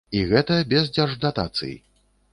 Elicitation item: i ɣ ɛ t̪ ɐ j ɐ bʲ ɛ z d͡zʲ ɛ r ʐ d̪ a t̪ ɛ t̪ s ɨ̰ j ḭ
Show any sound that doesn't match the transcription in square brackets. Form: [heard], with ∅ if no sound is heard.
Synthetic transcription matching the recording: i ɣ ɛ t̪ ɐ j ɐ bʲ ɛ z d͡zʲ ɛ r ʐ d̪ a t̪ [a] t̪ s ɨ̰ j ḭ